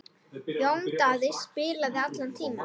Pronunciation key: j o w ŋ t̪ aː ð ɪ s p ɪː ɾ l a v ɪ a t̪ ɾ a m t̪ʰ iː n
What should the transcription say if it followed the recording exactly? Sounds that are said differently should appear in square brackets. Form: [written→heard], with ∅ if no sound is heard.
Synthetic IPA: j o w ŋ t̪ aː ð ɪ s p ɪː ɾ l a [v→ð] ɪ a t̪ [ɾ→l] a [m→n] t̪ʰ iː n